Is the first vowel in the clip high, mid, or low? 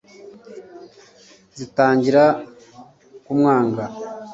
high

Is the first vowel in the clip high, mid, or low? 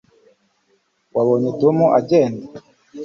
low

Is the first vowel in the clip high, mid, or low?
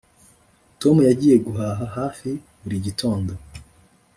mid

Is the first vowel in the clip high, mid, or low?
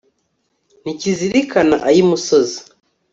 high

